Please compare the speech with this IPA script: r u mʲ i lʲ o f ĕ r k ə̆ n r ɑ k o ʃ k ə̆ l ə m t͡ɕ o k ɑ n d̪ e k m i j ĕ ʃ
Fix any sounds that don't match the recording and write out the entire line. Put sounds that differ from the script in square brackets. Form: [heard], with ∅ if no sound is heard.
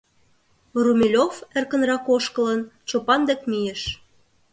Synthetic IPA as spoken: r u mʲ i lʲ o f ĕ r k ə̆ n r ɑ k o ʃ k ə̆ l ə [n] t͡ɕ o [p] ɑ n d̪ e k m i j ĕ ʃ